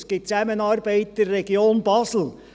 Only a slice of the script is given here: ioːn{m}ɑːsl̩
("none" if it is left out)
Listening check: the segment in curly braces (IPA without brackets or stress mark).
b